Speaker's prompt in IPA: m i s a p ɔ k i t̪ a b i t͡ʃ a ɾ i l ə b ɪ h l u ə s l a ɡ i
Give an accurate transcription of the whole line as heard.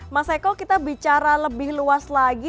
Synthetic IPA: m a s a k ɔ k i t̪ a b i t͡ʃ a ɾ a l ə b ɪ h l u a s l a ɡ i